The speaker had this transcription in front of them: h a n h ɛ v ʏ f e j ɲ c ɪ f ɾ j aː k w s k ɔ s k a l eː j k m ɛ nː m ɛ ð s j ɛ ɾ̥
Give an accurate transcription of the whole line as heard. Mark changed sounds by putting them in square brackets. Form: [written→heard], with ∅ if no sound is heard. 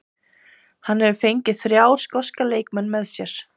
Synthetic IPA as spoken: h a n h ɛ v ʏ f e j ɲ c ɪ [f→θ] ɾ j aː [k→∅] w s k ɔ s k a l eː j k m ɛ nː m ɛ ð s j ɛ ɾ̥

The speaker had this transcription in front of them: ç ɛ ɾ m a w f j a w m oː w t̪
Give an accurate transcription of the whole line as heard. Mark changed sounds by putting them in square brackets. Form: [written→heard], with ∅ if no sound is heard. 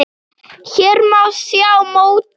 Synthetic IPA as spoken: ç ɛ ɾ m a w [f→s] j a w m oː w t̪

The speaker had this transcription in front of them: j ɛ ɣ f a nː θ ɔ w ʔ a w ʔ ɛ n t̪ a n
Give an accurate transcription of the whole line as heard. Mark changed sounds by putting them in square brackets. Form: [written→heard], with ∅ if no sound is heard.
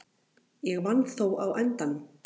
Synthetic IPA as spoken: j ɛ ɣ [f→v] a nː θ [ɔ→o] w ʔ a w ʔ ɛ n t̪ a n

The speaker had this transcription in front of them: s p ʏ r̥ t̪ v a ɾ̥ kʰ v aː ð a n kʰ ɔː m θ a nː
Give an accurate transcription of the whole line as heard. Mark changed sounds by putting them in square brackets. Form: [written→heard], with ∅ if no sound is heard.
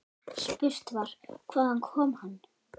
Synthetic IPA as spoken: s p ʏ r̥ t̪ v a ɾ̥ kʰ v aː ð a n kʰ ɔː m [θ→h] a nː

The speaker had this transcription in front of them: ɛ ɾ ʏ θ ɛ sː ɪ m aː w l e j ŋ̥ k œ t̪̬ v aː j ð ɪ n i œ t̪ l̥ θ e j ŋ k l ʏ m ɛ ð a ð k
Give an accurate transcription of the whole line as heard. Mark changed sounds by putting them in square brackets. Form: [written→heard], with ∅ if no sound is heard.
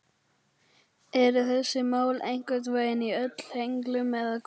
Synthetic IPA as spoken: ɛ ɾ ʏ θ ɛ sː ɪ m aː w l e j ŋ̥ k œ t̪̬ v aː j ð ɪ n i œ t̪ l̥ [θ→h] e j ŋ k l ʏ m ɛ ð a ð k

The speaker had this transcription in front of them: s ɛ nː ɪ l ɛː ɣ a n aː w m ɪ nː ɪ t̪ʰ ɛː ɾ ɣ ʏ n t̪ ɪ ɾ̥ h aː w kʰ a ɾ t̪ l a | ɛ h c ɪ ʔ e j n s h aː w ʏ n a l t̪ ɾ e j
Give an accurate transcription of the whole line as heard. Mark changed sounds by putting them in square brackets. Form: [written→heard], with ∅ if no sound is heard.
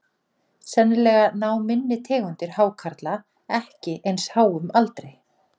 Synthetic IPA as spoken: s ɛ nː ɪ l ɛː ɣ a n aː w m ɪ nː ɪ t̪ʰ ɛː [ɾ→∅] ɣ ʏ n t̪ ɪ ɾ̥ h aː w kʰ a ɾ t̪ l a | ɛ h c ɪ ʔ e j n s h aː w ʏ [n→m] a l t̪ ɾ e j

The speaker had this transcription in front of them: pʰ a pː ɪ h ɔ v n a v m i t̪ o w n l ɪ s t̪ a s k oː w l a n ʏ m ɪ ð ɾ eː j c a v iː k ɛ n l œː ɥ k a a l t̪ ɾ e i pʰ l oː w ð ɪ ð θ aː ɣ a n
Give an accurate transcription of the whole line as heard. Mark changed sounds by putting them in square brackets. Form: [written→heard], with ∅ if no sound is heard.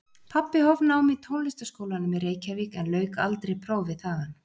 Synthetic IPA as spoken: pʰ a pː ɪ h ɔ v n a [v→w] m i [t̪→t̪ʰ] o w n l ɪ s t̪ a s k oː w l a n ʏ m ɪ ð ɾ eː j c a v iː k ɛ n l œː ɥ k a a l t̪ ɾ e [i→j] pʰ [l→ɾ] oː w [ð→v] ɪ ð θ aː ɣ a n

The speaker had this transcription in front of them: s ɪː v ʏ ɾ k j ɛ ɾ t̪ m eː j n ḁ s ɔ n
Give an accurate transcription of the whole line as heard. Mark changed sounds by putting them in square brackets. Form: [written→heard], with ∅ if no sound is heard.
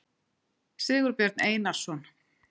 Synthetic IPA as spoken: s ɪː [v→ɣ] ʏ ɾ [k→p] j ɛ ɾ t̪ [m→n] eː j n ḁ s ɔ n

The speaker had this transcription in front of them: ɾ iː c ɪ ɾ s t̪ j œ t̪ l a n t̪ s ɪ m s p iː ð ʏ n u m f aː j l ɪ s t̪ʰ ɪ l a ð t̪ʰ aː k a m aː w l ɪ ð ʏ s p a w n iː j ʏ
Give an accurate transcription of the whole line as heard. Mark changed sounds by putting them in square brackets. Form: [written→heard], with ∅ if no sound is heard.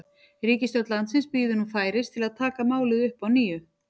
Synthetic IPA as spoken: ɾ iː c ɪ [ɾ→∅] s t̪ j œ t̪ l a n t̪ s ɪ [m→n] s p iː ð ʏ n u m f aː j [l→ɾ] ɪ s t̪ʰ ɪ l a ð t̪ʰ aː k a m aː w l ɪ ð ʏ [s→h] p a w n iː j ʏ

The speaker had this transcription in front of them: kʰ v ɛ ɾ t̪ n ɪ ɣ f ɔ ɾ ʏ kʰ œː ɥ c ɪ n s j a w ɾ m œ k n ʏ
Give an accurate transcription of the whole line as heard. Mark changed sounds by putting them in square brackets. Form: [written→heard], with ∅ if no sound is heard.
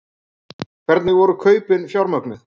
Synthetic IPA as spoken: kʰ v ɛ ɾ t̪ n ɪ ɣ [f→v] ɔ ɾ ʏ kʰ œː ɥ [c→p] ɪ n [s→f] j a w ɾ m œ k n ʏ

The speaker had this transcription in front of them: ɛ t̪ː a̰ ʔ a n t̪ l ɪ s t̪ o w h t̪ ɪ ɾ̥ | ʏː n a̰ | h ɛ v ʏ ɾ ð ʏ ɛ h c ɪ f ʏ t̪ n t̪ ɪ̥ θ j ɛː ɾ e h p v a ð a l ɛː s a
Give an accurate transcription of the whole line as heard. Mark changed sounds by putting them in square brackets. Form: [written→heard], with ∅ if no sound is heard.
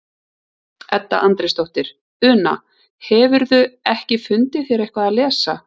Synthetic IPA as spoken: ɛ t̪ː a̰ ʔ a n t̪ [l→ɾ] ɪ s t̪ o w h t̪ ɪ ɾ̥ | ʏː n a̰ | h ɛ v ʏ ɾ ð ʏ ɛ h c ɪ f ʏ [t̪→∅] n t̪ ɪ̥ θ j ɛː ɾ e h [p→k] v a ð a l ɛː s a

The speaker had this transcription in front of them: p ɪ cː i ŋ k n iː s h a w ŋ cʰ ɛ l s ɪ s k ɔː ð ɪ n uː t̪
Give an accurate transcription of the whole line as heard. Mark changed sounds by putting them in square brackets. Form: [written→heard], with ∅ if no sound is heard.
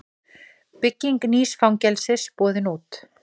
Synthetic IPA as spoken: p ɪ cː i ŋ k n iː s [h→f] a w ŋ [cʰ→c] ɛ l s ɪ s [k→p] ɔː ð ɪ n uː t̪

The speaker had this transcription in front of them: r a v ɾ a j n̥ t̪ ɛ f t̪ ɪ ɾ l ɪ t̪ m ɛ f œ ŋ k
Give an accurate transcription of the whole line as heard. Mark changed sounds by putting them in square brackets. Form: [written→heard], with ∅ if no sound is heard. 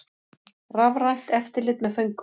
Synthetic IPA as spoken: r a v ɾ a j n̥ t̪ ɛ f t̪ ɪ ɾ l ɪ t̪ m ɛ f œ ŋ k

